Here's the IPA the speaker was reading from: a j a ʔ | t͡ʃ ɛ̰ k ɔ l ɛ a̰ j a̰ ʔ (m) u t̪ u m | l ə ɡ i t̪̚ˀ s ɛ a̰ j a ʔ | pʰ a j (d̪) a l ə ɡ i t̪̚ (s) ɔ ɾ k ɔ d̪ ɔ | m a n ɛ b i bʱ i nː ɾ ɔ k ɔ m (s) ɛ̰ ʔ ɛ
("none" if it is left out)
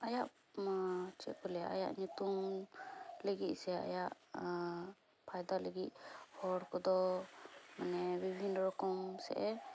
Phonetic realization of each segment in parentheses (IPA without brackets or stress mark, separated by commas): ɲ, d̪, h, s